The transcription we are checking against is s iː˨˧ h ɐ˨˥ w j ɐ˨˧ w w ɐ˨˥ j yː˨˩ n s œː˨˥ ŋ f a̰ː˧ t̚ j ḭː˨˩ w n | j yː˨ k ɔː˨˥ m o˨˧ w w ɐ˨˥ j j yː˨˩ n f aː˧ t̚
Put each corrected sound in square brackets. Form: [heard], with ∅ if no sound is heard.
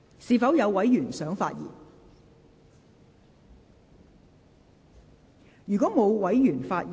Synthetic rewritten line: s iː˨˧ [f] ɐ˨˥ w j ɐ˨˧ w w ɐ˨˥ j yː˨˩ n s œː˨˥ ŋ f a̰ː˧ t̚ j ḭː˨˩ [∅] n | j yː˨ k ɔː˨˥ m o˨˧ w w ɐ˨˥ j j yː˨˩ n f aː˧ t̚